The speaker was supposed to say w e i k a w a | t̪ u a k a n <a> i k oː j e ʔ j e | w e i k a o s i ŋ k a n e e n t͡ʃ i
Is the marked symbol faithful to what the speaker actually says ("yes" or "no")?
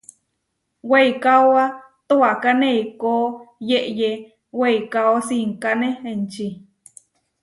no